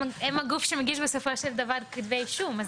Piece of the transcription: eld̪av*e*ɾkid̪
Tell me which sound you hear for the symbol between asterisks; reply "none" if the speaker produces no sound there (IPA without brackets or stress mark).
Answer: a